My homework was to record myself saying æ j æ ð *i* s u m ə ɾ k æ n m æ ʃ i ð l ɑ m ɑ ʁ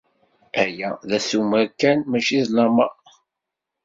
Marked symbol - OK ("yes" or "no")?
no